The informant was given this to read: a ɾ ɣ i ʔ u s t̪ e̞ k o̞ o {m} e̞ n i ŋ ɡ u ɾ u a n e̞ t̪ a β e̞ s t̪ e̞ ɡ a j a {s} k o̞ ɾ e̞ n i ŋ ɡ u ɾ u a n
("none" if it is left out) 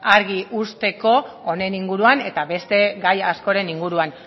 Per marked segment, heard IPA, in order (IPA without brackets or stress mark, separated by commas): n, s